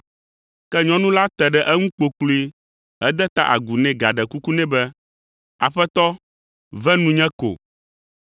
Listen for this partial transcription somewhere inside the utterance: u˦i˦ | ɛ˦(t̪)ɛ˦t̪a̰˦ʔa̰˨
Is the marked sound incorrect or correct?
incorrect: d̪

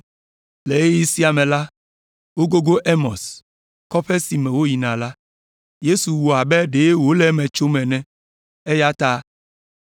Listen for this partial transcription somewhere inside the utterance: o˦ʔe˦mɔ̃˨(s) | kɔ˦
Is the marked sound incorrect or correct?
correct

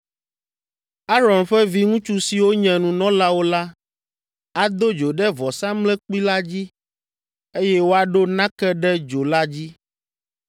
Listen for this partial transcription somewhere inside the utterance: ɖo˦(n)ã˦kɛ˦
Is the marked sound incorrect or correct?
correct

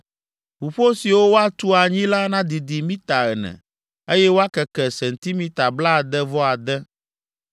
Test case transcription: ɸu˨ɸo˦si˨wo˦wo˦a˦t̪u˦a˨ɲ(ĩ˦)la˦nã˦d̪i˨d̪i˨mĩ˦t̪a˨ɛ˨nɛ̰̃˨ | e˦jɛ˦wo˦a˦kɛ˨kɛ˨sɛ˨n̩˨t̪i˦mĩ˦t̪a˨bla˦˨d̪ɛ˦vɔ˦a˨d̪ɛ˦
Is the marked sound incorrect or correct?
correct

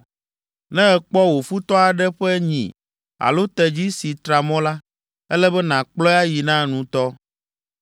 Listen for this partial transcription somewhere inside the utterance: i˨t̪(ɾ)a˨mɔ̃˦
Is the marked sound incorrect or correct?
correct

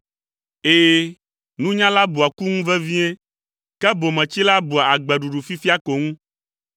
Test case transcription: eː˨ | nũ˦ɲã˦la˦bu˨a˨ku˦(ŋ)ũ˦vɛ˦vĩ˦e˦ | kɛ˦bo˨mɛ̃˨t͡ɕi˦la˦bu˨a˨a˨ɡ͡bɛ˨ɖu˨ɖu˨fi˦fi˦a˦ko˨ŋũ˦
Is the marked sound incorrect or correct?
correct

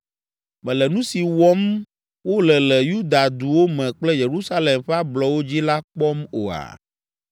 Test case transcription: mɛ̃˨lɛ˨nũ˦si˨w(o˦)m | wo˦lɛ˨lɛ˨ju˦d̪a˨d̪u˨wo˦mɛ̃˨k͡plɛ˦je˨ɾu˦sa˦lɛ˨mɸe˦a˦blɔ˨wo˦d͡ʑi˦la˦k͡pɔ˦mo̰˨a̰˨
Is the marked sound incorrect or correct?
incorrect: ɔ˦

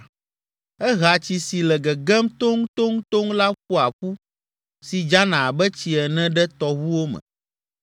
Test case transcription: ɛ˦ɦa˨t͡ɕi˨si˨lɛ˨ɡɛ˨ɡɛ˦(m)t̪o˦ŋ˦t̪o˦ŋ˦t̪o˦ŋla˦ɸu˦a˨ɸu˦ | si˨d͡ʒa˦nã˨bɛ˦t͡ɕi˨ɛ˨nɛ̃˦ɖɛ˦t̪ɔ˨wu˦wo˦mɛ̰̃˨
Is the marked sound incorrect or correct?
correct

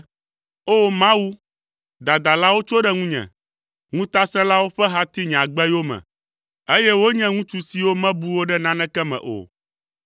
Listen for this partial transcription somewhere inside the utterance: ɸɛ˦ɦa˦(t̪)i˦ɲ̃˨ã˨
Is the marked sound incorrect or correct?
correct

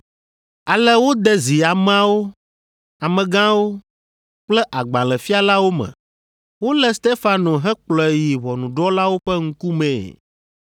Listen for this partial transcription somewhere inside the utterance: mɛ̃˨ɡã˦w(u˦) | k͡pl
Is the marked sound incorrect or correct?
incorrect: o˦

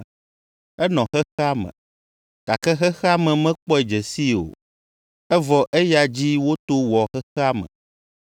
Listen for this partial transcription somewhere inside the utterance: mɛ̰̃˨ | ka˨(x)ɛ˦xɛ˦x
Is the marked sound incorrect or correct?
incorrect: k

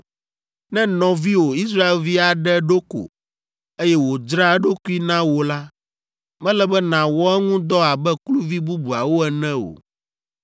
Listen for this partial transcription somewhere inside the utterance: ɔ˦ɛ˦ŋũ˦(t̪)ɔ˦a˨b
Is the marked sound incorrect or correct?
incorrect: d̪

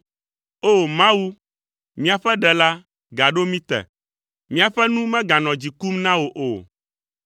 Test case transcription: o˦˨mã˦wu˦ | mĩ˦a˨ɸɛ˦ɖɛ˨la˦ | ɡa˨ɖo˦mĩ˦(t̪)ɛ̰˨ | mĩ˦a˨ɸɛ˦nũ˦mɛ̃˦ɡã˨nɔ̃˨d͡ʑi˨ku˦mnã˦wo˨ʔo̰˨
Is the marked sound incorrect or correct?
correct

